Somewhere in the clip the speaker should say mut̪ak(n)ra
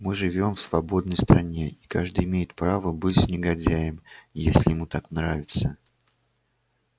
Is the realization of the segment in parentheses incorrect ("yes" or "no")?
no